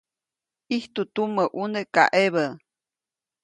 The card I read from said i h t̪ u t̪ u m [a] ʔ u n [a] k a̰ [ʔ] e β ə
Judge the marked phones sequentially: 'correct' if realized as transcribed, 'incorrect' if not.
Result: incorrect: ə, incorrect: e, correct

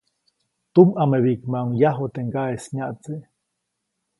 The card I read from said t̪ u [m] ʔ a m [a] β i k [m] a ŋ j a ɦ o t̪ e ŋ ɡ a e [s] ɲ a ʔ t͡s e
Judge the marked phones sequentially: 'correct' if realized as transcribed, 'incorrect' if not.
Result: correct, incorrect: e, correct, correct

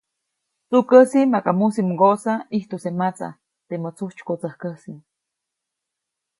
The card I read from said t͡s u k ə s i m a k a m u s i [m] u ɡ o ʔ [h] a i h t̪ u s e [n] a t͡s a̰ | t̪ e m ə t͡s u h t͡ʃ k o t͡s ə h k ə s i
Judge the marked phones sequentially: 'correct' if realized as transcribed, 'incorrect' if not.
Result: correct, incorrect: s, incorrect: m

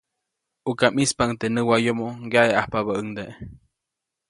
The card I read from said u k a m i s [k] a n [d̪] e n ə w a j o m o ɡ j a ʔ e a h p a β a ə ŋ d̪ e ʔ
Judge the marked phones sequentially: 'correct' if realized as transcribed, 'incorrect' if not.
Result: incorrect: p, incorrect: t̪

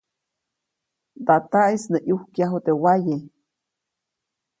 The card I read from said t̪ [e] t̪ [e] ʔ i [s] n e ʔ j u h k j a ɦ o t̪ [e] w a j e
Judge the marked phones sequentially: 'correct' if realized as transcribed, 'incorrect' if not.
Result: incorrect: a, incorrect: a, correct, correct

